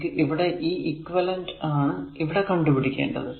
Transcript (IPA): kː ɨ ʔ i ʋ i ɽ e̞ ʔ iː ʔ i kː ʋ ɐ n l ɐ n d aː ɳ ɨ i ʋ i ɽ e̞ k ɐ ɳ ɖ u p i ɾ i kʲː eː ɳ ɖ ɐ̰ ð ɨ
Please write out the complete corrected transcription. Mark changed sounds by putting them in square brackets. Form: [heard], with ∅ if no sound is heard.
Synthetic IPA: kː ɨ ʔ i ʋ i ɽ e̞ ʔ iː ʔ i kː ʋ ɐ [∅] l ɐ n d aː ɳ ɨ i ʋ i ɽ e̞ k ɐ ɳ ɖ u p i [ɽ] i kʲː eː ɳ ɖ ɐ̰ ð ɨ